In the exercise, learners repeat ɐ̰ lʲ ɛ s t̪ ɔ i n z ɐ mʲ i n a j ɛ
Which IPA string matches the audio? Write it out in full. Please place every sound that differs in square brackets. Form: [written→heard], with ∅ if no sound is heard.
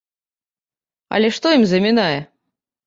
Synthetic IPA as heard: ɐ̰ lʲ ɛ [s→ʂ] t̪ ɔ i [n→m] z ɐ mʲ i n a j ɛ